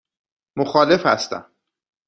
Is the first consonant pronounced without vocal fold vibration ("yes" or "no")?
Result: no